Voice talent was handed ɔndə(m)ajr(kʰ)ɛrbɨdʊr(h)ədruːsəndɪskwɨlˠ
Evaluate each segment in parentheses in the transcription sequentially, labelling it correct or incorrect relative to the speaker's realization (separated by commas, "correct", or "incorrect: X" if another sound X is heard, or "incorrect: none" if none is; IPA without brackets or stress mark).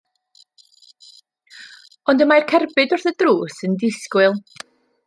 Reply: correct, correct, incorrect: θ